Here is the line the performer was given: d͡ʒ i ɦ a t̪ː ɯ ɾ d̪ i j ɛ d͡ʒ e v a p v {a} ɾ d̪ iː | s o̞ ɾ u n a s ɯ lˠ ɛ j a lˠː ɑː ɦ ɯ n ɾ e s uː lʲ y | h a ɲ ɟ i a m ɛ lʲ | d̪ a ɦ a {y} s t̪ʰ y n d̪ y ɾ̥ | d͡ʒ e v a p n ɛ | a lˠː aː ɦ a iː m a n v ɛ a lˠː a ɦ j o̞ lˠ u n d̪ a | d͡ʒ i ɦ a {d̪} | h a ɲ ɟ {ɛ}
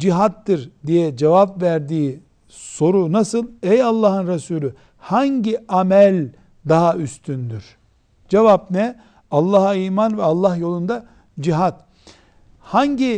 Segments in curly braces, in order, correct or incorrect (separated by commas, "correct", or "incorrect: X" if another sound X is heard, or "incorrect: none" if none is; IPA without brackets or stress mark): incorrect: æ, correct, incorrect: t̪, incorrect: i